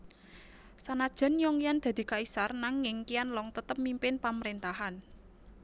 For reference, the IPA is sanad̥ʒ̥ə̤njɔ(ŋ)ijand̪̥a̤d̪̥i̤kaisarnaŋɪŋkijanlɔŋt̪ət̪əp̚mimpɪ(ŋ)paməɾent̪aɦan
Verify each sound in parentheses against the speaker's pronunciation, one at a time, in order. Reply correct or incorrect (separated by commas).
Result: correct, incorrect